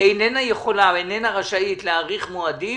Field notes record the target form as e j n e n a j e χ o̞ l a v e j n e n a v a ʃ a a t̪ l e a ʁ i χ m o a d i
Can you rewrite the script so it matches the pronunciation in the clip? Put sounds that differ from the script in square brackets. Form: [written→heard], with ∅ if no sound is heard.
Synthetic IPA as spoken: e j n e n a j e χ o̞ l a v e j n e n a [v→ʁ] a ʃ a [a→i] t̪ l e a ʁ i χ m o a d i